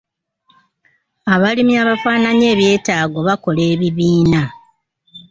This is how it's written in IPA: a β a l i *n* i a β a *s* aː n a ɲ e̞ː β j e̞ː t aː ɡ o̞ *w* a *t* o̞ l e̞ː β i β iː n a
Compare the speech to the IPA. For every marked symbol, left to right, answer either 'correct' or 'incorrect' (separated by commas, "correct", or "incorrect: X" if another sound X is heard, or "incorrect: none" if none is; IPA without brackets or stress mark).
incorrect: m, incorrect: f, incorrect: β, incorrect: k